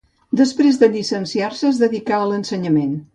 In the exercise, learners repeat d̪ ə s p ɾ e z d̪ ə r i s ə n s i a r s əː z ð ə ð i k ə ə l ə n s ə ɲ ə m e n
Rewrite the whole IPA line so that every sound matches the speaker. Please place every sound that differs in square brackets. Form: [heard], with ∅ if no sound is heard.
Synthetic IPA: d̪ ə s p ɾ e z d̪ ə [ʎ] i s ə n s i a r s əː z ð ə ð i k [a] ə l ə n s ə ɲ ə m e n